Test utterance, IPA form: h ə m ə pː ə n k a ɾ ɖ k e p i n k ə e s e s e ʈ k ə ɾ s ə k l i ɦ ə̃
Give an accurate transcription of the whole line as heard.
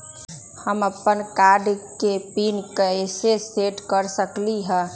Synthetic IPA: h ə m ə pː ə n k a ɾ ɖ k e p i n k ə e s e s e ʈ k ə ɾ s ə k l i ɦ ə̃